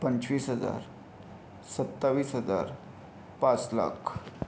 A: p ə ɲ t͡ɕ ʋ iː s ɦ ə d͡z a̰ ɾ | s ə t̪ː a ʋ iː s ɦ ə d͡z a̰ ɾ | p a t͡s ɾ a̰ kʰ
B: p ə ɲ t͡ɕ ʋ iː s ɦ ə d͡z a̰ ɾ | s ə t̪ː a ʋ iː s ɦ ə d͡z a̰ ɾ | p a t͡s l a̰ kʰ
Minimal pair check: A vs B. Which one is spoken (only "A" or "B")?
B